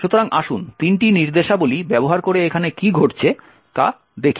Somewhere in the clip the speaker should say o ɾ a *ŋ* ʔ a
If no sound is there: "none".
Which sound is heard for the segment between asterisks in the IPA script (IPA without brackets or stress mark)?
ŋ